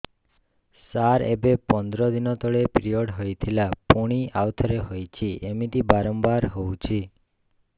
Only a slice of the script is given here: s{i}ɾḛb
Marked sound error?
yes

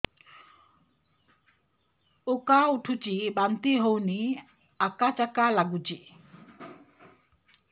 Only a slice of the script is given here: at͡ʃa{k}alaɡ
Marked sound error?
no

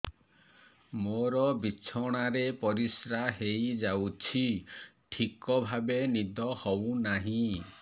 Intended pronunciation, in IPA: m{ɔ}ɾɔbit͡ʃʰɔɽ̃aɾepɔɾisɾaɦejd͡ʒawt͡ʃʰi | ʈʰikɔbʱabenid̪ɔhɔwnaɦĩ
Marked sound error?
yes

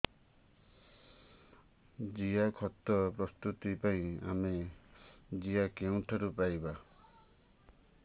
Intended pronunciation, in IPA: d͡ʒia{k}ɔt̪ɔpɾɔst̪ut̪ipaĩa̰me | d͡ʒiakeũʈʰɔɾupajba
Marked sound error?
yes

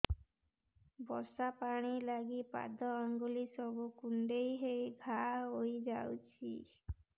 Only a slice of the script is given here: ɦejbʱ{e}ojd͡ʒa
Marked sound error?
yes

